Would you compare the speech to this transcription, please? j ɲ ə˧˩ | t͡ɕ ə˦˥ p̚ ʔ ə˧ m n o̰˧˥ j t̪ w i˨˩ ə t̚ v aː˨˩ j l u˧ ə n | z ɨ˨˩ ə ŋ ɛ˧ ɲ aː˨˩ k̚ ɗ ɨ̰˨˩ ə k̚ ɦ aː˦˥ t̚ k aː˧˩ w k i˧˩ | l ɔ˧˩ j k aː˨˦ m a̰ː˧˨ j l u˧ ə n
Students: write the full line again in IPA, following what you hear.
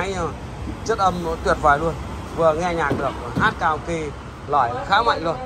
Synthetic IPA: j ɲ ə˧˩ | t͡ɕ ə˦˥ t̚ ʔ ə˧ m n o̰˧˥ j t̪ w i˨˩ ə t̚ v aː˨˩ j l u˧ ə n | v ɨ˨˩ ə ŋ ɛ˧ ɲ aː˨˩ k̚ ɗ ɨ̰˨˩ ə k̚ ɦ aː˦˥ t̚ k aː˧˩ w k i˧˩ | l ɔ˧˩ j x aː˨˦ m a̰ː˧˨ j l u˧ ə n